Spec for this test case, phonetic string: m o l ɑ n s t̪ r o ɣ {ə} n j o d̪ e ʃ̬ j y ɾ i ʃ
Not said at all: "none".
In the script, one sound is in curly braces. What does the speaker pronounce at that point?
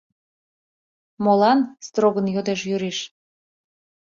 ə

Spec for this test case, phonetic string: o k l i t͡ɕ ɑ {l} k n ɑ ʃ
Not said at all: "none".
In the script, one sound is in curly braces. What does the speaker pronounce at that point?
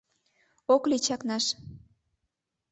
none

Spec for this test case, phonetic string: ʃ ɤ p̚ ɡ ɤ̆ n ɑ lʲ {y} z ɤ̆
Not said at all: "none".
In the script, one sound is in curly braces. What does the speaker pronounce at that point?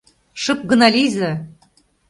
i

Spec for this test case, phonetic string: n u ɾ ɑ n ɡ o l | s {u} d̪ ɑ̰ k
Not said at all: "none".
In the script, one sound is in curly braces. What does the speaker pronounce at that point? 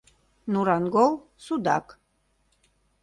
u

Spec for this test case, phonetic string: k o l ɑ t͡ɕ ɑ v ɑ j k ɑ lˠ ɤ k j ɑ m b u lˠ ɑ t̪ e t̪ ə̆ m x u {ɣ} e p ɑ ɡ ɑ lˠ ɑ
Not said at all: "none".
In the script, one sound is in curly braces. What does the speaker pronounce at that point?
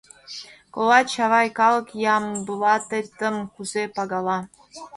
z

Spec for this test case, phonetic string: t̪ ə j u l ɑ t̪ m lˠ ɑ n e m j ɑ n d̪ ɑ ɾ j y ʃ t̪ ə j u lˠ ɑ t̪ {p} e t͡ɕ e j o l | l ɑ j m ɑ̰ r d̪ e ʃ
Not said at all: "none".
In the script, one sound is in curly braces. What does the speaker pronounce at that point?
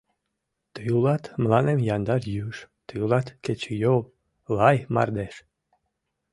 k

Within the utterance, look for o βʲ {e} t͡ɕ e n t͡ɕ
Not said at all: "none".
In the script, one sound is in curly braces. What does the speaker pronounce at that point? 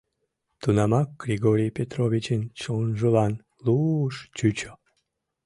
i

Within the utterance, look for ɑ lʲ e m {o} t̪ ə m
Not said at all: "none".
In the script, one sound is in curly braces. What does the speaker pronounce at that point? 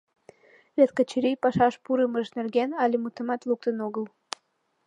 u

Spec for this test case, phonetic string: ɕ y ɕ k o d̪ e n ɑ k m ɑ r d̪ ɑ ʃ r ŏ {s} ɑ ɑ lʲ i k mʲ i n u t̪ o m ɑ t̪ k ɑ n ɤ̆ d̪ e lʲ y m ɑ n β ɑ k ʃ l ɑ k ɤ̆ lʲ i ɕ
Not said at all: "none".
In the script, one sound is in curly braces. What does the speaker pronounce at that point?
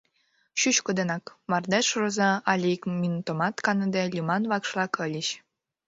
z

